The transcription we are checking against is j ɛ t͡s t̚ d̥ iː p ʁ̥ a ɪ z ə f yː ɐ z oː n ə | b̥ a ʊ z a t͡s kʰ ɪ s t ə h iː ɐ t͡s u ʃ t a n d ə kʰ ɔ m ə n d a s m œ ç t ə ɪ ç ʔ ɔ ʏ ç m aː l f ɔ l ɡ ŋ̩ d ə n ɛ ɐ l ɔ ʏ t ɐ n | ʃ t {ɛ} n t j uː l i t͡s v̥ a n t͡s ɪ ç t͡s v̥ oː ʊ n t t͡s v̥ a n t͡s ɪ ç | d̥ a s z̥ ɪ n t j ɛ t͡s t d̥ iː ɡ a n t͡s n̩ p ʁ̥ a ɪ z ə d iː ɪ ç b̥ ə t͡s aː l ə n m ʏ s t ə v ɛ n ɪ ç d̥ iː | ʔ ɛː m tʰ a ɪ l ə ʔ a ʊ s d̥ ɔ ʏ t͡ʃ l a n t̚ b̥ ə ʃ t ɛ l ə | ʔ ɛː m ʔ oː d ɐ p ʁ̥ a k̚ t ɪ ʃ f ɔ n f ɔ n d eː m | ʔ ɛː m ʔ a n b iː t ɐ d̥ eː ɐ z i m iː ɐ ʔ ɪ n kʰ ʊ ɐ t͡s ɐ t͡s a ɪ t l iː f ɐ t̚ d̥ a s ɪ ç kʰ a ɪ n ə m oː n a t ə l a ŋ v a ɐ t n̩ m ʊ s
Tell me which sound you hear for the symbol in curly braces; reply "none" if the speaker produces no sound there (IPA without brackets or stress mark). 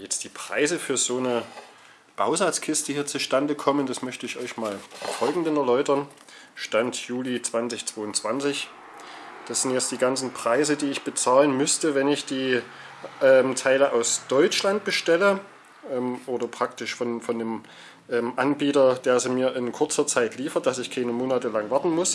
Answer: a